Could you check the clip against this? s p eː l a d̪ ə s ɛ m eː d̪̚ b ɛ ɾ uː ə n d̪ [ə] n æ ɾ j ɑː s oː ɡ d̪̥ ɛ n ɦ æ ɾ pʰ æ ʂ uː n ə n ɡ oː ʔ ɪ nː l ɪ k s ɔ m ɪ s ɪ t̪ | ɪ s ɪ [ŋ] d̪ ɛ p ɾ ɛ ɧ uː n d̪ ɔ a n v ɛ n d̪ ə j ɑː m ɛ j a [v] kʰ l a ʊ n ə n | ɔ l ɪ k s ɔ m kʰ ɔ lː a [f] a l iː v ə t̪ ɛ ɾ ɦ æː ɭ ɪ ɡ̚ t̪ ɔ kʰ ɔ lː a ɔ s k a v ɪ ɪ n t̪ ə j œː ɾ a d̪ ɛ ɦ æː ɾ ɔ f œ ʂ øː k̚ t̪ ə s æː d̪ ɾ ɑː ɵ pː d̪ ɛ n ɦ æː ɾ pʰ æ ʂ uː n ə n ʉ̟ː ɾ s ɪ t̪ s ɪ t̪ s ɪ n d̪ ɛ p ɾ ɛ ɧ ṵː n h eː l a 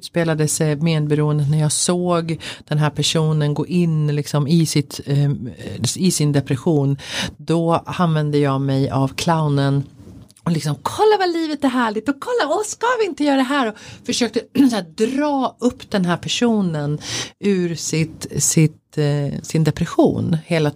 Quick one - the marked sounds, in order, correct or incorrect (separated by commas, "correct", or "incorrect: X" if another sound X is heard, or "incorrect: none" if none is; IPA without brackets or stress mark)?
correct, incorrect: n, correct, incorrect: v